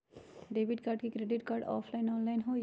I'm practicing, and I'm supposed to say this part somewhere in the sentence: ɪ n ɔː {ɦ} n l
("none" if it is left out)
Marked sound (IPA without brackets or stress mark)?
none